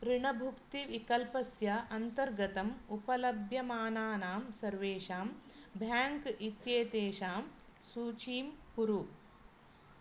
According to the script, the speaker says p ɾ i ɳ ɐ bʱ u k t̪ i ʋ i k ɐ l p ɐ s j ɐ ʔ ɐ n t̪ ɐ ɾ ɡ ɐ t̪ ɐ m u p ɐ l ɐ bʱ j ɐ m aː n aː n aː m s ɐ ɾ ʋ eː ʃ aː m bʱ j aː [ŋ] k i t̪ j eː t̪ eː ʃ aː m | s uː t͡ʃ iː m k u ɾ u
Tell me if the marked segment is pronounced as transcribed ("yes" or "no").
yes